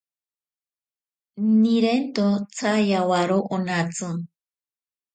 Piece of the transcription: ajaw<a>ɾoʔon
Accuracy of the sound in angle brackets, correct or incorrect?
correct